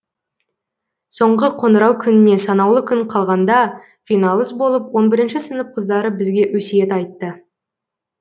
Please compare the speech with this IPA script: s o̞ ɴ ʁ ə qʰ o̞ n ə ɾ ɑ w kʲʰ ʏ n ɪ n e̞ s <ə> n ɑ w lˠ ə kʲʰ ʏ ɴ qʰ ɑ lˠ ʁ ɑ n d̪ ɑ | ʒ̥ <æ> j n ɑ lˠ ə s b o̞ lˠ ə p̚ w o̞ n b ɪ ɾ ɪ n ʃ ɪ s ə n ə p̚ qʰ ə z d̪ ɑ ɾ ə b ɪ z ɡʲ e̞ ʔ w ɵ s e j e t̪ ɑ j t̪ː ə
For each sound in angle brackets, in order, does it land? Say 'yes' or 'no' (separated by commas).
no, no